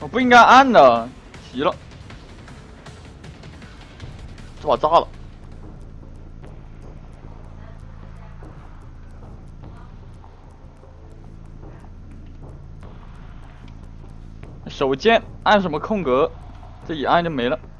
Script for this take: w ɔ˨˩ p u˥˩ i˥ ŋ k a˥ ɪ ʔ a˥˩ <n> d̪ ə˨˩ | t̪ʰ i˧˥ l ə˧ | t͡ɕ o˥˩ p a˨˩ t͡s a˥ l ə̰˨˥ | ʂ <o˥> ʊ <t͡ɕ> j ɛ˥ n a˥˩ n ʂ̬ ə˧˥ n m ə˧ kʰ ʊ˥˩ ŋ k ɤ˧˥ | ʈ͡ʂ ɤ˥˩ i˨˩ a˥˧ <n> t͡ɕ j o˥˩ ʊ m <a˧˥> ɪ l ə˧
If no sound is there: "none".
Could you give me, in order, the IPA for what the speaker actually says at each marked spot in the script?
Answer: n, o˨˩, t͡ɕ, n, e˧˥

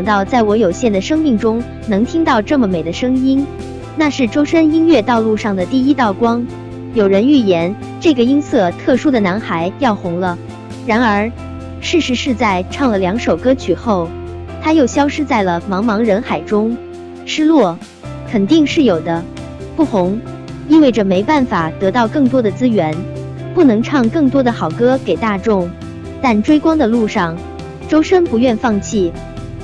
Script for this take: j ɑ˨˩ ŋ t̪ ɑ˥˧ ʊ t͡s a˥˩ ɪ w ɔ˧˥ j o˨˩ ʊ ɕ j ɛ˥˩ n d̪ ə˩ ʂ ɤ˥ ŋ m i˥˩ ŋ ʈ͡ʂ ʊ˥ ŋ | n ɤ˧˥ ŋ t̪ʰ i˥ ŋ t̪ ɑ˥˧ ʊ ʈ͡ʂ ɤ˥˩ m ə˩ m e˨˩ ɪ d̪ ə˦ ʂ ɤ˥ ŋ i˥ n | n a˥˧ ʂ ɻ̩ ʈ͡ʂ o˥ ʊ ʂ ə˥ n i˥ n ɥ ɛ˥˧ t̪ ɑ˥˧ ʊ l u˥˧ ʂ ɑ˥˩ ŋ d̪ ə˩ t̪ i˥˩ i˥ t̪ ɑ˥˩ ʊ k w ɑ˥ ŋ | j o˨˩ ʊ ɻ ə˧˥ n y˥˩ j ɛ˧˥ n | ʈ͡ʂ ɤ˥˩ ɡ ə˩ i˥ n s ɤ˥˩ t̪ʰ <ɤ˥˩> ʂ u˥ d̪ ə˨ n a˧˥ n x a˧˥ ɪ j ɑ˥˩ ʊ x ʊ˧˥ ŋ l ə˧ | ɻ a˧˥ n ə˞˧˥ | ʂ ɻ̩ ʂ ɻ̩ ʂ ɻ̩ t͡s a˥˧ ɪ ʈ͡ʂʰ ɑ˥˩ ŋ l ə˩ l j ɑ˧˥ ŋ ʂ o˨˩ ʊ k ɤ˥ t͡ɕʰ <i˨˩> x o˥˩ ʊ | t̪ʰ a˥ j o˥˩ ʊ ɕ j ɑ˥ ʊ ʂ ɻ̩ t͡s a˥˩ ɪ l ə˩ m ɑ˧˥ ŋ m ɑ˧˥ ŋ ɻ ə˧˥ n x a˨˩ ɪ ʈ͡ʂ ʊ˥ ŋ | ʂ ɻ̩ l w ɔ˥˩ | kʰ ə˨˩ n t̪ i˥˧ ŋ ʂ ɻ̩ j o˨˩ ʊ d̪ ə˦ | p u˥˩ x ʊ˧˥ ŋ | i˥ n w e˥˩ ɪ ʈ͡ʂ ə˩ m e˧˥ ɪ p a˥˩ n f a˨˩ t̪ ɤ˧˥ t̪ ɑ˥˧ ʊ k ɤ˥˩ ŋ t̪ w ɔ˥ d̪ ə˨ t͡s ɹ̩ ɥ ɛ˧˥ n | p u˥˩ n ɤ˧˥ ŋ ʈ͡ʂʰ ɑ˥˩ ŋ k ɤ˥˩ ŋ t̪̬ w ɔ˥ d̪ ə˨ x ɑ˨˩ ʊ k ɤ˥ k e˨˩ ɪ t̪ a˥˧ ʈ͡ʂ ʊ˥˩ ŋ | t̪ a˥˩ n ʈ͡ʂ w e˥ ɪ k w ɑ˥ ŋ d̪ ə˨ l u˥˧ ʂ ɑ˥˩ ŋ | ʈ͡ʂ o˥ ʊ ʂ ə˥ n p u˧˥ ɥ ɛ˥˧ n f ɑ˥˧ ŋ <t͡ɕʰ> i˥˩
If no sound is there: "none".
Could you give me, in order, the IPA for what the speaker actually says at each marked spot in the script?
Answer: ɤ˥˩, y˨˩, t͡ɕʰ

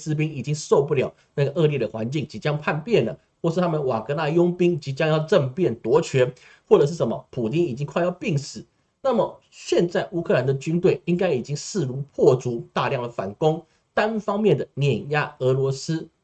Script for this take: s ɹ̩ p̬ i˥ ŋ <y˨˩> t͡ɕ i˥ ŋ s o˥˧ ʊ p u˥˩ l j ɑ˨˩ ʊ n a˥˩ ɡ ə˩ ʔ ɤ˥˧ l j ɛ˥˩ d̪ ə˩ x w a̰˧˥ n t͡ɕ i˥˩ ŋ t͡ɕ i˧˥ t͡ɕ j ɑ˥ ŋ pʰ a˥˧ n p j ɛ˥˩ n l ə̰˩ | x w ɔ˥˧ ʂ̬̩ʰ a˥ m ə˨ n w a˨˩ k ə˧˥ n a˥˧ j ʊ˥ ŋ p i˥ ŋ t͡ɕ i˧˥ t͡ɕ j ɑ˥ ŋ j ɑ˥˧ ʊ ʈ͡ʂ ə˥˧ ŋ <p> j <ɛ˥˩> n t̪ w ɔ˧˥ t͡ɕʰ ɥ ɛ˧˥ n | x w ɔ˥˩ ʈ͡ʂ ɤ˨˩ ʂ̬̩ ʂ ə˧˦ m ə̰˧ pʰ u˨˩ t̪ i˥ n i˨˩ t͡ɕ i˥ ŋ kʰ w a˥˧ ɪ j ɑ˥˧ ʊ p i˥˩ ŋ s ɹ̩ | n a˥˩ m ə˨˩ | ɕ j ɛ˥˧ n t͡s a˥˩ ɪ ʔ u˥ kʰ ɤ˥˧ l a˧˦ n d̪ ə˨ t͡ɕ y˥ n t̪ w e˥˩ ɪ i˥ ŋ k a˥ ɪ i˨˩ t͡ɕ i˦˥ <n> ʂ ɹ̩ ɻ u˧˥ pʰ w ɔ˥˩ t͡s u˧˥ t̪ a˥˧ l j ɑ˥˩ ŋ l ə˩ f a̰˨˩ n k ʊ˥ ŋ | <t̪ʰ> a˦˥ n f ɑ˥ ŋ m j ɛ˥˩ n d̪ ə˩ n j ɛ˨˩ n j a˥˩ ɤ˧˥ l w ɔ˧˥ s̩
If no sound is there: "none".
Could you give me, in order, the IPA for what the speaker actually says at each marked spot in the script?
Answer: i˨˩, p, ɛ˥˩, ŋ, t̪

